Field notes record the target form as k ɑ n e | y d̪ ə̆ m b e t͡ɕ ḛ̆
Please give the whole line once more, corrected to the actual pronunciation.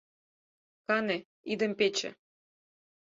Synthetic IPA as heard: k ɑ n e | i d̪ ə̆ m p e t͡ɕ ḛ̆